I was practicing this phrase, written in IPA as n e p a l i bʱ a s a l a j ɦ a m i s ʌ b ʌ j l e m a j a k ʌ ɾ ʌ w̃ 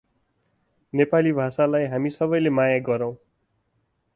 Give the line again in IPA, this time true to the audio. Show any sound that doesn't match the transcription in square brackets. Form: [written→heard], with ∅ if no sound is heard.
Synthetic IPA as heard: n e p a l i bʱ a s a l a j ɦ a m i s ʌ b ʌ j l e m a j a [k→ɡ] ʌ ɾ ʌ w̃